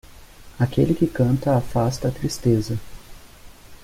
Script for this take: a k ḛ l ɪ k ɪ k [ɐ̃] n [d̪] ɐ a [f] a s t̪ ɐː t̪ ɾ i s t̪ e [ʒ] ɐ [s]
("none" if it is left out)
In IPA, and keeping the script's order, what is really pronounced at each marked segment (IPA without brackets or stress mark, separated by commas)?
ɐ̃, t̪, f, z, none